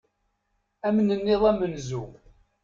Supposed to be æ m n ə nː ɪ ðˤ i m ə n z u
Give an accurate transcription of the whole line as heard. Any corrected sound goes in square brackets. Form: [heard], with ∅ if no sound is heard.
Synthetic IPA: æ m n ə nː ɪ ðˤ [æ] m ə n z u